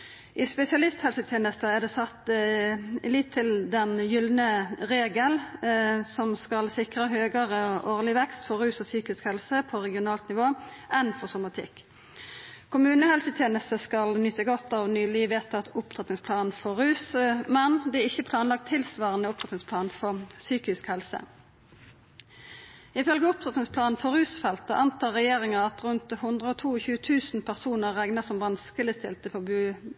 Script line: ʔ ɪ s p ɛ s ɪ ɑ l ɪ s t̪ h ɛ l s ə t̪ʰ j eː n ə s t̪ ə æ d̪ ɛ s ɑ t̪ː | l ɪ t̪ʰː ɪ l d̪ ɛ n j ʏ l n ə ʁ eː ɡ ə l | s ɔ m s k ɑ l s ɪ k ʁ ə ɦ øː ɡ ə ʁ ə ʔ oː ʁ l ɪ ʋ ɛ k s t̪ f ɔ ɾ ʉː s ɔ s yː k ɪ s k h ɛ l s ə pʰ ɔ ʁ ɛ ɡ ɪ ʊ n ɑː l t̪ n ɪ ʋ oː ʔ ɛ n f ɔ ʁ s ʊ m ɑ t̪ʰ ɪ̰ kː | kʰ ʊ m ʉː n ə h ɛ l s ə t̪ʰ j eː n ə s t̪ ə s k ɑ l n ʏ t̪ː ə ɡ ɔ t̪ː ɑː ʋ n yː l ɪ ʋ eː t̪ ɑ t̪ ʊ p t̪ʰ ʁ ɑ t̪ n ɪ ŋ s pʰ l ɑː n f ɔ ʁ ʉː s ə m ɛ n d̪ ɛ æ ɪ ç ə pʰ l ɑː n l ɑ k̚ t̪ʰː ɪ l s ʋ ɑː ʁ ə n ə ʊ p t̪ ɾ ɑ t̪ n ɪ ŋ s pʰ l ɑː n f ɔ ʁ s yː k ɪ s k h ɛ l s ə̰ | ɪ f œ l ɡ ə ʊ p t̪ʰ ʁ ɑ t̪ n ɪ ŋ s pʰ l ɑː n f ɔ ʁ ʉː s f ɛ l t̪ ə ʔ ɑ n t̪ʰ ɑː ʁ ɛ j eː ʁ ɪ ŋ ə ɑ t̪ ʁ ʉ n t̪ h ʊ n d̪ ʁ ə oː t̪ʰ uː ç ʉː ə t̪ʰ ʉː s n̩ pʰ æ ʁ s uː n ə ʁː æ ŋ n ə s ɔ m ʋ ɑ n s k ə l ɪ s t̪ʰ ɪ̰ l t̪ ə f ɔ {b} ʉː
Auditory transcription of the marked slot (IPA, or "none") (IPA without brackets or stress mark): b